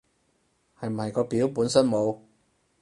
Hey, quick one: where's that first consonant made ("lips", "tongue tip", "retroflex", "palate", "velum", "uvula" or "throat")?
throat